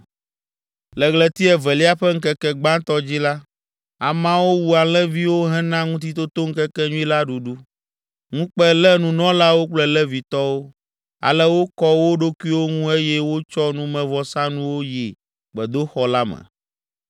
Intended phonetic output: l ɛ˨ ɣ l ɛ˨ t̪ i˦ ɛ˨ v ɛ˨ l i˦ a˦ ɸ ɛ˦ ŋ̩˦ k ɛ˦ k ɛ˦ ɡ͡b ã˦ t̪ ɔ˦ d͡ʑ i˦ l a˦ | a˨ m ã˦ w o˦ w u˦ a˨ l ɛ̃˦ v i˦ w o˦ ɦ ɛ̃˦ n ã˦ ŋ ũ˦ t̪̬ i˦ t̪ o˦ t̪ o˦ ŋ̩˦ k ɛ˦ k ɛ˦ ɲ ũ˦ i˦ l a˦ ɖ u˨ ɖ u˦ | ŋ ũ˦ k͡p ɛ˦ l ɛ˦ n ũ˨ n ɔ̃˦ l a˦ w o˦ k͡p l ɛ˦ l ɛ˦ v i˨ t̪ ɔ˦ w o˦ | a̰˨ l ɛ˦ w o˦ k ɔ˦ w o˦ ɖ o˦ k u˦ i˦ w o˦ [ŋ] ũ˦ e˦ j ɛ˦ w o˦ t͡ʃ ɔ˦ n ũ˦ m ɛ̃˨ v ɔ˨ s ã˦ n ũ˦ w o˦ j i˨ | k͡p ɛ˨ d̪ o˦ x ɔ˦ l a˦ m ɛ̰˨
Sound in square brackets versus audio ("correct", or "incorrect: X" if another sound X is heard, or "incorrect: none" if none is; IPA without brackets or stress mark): correct